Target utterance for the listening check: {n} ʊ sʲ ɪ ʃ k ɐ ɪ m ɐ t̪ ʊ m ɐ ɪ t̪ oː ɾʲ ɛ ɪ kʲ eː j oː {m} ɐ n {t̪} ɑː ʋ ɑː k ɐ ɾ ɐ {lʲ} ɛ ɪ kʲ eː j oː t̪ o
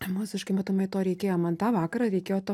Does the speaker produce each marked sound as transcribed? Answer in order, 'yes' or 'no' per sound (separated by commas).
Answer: no, yes, yes, no